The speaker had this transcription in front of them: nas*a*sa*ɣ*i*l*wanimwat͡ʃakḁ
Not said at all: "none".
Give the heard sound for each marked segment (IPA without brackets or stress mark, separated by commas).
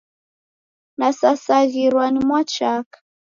a, ɣ, ɾ